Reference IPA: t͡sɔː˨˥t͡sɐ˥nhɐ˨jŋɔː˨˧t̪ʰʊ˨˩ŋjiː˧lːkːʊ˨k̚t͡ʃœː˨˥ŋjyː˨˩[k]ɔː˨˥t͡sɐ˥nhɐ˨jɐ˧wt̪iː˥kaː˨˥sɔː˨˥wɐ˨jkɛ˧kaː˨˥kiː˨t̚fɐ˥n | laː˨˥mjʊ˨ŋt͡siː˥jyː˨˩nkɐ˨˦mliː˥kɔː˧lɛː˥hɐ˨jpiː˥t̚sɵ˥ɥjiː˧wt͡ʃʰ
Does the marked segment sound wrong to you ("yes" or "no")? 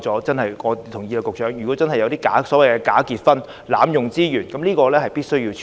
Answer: no